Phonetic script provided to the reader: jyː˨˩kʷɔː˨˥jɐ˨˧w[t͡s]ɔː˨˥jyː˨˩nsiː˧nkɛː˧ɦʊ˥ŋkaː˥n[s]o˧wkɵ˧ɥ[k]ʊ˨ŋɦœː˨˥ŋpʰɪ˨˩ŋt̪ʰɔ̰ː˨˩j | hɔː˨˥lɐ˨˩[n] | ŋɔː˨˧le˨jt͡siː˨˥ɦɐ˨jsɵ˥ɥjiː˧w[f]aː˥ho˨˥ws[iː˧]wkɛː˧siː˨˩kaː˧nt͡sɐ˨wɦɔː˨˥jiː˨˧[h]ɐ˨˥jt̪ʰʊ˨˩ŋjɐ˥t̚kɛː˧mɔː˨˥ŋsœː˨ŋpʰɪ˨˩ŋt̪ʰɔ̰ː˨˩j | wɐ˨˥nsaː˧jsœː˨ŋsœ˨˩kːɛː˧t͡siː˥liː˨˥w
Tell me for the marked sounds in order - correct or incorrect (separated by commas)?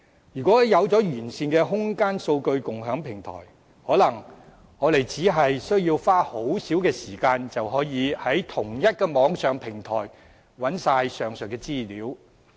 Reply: correct, correct, correct, incorrect, correct, incorrect, correct